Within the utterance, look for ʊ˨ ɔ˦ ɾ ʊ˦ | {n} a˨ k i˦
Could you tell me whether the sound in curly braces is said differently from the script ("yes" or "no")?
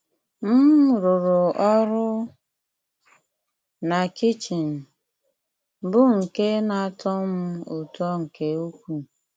no